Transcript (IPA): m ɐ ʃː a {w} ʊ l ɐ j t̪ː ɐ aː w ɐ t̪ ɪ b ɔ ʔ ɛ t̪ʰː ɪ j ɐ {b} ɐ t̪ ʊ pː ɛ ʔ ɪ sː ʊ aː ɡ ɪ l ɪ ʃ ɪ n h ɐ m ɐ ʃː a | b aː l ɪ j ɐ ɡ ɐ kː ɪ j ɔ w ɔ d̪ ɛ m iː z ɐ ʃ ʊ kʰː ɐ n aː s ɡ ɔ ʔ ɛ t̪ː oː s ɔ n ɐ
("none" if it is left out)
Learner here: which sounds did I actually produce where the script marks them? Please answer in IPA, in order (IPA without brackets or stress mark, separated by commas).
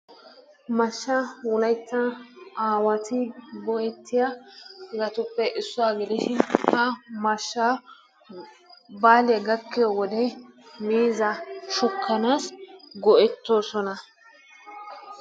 w, ɡ